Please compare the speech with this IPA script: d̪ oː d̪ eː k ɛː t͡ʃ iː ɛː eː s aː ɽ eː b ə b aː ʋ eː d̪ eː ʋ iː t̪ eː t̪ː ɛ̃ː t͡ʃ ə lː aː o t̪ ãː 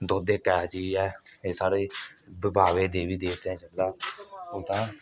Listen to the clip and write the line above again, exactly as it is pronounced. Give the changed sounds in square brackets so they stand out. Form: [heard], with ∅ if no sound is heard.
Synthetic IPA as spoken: d̪ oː d̪ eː k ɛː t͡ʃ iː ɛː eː s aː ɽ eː b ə b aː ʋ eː d̪ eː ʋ iː [d̪] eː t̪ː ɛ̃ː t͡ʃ ə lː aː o t̪ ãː